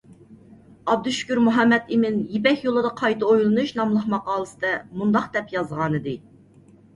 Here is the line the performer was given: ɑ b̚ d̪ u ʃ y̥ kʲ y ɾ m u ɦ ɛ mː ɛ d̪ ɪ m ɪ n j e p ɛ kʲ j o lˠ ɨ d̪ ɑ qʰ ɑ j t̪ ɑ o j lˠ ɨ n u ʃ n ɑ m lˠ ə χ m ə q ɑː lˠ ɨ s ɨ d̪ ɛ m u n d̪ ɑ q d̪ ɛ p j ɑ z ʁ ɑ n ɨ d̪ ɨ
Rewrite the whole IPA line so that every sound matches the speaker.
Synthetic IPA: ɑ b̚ d̪ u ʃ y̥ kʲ y ɾ m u ɦ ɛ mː ɛ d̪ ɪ m ɪ n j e p ɛ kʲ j o lˠ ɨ d̪ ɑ qʰ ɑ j t̪ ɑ o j lˠ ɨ n u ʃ n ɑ m lˠ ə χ m ɑ q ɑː lˠ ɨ s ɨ d̪ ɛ m u n d̪ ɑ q d̪ ɛ p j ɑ z ʁ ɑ n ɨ d̪ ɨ